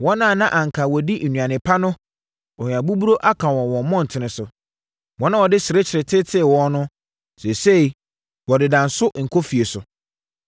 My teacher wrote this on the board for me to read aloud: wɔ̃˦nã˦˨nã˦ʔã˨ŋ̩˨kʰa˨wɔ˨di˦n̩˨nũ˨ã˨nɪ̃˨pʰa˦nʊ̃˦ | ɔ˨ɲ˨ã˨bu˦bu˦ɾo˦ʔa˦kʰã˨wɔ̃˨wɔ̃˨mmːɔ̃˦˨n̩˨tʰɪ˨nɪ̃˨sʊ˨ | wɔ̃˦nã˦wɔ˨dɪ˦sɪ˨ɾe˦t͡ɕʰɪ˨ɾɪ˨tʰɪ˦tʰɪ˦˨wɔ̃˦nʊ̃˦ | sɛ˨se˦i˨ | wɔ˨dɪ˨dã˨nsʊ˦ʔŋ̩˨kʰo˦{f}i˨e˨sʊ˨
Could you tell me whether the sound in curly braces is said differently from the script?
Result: no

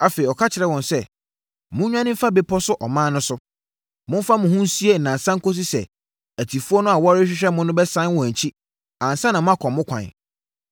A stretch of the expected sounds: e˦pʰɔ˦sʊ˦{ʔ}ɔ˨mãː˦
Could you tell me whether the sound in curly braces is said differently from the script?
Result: no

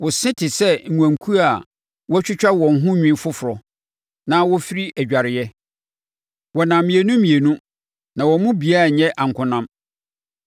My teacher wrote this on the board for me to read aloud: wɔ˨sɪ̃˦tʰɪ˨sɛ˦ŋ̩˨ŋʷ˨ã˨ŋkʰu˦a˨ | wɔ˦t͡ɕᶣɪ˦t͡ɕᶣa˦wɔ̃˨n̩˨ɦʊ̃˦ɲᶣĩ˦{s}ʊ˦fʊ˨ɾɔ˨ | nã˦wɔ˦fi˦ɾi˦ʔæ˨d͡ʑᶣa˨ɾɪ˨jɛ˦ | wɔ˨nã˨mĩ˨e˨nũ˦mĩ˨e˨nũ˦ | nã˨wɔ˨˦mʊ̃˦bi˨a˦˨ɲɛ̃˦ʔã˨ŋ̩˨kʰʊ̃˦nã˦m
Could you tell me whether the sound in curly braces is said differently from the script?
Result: yes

